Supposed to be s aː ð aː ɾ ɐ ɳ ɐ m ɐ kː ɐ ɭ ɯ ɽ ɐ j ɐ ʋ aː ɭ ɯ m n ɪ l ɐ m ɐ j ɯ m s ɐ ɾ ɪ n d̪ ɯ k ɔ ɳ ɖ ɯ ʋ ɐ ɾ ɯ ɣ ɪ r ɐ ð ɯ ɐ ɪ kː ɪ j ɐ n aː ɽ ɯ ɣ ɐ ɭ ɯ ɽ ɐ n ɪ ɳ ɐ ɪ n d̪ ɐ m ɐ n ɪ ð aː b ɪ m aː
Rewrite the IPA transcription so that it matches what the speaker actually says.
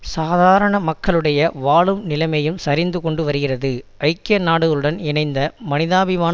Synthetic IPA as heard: s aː ð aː ɾ ɐ ɳ ɐ m ɐ kː ɐ ɭ ɯ ɽ ɐ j ɐ ʋ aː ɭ ɯ m n ɪ l ɐ m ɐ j ɯ m s ɐ ɾ ɪ n d̪ ɯ k ɔ ɳ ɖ ɯ ʋ ɐ ɾ ɯ ɣ ɪ r ɐ ð ɯ ɐ ɪ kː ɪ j ɐ n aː ɽ ɯ ɣ ɐ ɭ ɯ ɽ ɐ n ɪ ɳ ɐ ɪ n d̪ ɐ m ɐ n ɪ ð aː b ɪ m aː